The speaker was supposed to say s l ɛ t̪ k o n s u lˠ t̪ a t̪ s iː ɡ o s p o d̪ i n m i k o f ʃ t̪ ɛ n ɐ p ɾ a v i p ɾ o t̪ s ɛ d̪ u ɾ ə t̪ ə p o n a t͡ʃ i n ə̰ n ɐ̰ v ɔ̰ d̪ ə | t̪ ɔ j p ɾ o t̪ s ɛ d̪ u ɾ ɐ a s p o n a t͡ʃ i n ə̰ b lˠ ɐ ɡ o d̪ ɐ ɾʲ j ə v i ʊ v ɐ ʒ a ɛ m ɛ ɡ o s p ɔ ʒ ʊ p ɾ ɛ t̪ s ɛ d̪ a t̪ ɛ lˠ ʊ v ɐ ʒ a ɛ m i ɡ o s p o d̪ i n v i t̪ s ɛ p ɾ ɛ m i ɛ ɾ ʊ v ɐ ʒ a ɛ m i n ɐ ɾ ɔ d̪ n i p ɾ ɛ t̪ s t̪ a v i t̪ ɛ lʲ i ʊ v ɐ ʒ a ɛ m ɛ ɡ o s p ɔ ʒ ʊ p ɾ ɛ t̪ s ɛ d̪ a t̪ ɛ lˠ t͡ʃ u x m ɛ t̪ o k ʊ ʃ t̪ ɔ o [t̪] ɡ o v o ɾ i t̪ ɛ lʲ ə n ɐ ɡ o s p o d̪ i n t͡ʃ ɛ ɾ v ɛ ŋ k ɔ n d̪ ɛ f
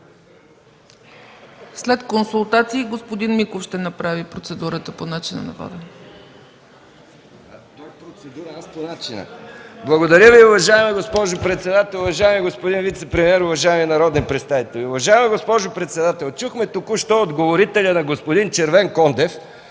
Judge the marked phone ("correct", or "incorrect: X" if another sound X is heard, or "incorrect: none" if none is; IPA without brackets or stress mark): incorrect: d̪